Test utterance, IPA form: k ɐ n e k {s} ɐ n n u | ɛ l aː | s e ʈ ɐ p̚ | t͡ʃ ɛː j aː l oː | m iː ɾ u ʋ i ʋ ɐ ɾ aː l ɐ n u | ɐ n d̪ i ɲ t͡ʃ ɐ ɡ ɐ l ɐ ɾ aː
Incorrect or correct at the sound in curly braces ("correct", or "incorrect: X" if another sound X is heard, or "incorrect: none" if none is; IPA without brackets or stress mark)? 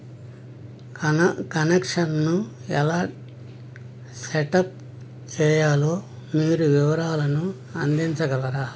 incorrect: ʂ